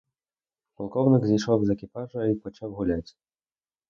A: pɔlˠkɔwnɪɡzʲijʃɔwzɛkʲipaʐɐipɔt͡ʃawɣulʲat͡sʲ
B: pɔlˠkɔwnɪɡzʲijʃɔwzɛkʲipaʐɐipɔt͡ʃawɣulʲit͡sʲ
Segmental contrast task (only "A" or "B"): A